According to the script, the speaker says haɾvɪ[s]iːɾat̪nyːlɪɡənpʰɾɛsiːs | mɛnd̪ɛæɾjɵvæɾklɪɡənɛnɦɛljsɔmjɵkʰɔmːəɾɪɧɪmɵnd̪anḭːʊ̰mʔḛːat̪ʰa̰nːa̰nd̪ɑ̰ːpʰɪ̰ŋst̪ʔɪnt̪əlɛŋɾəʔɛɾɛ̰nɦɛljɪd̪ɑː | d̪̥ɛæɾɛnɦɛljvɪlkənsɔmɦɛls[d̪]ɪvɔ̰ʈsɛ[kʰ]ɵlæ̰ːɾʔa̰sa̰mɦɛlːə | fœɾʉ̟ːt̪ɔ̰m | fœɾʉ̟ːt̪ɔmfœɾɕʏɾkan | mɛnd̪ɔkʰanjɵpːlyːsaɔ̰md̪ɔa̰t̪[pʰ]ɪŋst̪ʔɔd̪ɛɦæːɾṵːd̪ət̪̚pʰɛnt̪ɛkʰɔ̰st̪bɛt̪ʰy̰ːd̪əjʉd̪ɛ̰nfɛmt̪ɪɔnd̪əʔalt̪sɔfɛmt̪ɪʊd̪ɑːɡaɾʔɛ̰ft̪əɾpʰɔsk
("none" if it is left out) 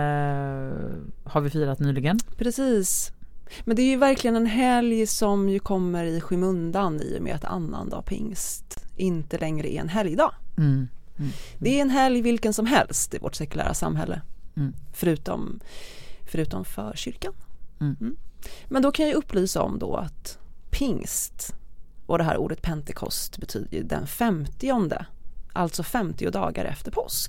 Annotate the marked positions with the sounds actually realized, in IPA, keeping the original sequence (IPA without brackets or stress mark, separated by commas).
f, t̪, k, pʰ